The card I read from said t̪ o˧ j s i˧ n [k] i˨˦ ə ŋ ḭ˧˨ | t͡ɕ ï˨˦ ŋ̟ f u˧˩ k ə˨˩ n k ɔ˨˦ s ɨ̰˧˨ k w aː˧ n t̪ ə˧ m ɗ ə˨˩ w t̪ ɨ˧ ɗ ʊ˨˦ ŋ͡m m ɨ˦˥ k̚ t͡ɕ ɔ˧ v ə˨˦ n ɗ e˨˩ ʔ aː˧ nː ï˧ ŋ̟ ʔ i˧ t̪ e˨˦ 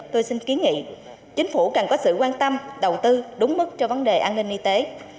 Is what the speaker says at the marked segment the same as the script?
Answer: yes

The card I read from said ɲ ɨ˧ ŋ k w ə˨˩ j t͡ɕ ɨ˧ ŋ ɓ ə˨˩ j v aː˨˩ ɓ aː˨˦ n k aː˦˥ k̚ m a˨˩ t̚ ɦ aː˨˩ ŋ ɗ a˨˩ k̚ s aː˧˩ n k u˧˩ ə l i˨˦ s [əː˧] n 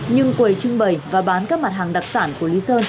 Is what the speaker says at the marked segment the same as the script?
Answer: yes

